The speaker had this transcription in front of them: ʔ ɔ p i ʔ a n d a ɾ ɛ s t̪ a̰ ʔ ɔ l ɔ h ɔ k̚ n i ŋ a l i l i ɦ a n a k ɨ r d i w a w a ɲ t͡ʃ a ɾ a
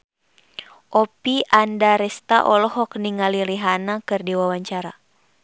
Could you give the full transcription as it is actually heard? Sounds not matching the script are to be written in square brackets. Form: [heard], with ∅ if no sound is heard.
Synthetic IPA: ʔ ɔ p i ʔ a n d a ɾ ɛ s t̪ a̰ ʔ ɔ l ɔ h ɔ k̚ n i ŋ a l i l i ɦ a n a k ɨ r d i w a w a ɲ t͡ʃ a ɾ a

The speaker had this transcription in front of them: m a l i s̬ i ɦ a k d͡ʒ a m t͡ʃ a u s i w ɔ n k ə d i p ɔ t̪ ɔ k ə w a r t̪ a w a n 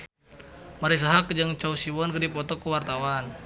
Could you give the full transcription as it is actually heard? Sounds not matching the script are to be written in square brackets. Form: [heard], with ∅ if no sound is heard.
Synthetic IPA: m a [ɾ] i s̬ [a] ɦ a k d͡ʒ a [ŋ] t͡ʃ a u s i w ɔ n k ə d i p ɔ t̪ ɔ k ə w a r t̪ a w a n

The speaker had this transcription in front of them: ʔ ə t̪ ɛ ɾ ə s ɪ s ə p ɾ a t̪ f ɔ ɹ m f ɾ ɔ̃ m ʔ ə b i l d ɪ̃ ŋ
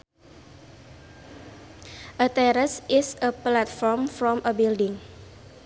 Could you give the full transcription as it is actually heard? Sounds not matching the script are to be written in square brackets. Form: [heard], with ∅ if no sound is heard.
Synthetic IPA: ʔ ə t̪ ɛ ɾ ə s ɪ s ə p [l] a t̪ f ɔ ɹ m f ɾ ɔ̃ m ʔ ə b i l d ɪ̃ ŋ

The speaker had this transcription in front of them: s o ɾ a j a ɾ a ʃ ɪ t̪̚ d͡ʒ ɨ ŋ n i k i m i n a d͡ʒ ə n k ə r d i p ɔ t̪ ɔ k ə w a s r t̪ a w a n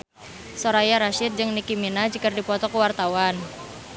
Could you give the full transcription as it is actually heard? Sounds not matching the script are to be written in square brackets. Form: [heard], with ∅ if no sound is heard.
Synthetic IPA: s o ɾ a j a ɾ a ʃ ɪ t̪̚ d͡ʒ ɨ ŋ n i k i m i n a d͡ʒ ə [∅] k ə r d i p ɔ t̪ ɔ k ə w a [∅] r t̪ a w a n

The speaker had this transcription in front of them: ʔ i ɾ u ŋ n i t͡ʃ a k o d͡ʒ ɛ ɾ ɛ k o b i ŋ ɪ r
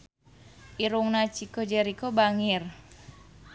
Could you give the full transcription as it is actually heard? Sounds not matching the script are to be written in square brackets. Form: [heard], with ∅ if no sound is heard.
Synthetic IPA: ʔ i ɾ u ŋ n [a] t͡ʃ [i] k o d͡ʒ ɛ ɾ [i] k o b [a] ŋ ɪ r

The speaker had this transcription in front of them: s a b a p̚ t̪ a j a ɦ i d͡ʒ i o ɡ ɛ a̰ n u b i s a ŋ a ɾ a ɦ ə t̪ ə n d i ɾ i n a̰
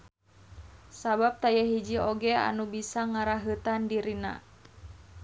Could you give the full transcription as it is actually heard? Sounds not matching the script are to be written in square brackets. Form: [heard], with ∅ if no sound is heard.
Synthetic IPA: s a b a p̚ t̪ a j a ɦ i d͡ʒ i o ɡ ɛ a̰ n u b i s a ŋ a ɾ a ɦ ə t̪ [a] n d i ɾ i n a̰

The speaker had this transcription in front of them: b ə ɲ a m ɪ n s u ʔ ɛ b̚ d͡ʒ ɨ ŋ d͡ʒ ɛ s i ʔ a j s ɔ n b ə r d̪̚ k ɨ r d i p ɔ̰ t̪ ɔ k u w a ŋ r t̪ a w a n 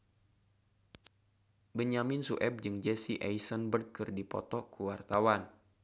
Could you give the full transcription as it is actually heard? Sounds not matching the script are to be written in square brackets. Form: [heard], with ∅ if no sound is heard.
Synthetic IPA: b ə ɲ a m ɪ n s u ʔ ɛ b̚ d͡ʒ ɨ ŋ d͡ʒ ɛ s i ʔ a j s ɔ n b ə r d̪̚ k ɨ r d i p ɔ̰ t̪ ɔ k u w a [∅] r t̪ a w a n

